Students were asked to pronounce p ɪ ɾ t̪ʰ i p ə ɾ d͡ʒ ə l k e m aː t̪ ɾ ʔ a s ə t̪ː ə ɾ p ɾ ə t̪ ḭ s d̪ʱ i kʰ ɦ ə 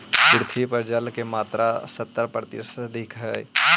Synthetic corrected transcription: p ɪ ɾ t̪ʰ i p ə ɾ d͡ʒ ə l k e m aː t̪ ɾ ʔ a s ə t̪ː ə ɾ p ɾ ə t̪ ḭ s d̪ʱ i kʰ ɦ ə